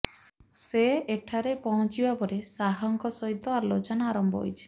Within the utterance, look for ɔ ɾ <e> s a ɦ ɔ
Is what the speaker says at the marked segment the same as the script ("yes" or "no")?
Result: yes